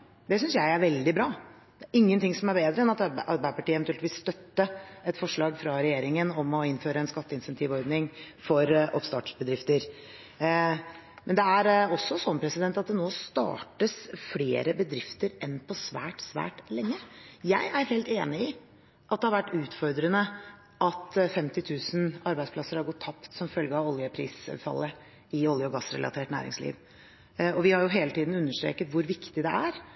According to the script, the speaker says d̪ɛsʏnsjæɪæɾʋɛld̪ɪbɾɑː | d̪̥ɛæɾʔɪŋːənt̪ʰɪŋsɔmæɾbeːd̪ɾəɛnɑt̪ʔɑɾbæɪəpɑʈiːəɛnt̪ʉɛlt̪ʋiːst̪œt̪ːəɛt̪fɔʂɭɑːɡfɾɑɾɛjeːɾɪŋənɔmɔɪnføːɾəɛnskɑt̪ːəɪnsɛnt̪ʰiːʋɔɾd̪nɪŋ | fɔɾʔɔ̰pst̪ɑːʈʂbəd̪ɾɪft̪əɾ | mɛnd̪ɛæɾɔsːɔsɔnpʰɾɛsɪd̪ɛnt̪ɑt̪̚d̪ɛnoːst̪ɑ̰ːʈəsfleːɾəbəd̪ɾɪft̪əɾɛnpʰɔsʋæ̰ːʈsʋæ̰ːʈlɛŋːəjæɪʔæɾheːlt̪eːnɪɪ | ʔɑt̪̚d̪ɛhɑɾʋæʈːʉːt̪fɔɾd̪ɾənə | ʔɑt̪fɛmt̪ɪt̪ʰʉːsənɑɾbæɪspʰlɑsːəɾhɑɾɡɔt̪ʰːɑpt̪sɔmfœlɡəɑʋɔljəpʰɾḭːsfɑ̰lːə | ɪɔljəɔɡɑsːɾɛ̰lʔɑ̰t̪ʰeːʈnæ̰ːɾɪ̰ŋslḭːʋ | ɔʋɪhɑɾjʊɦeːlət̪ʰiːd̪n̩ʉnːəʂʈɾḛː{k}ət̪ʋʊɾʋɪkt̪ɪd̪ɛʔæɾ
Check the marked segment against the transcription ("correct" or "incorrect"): correct